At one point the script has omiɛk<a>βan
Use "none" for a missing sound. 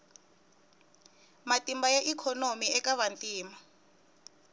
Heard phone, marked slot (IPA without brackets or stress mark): a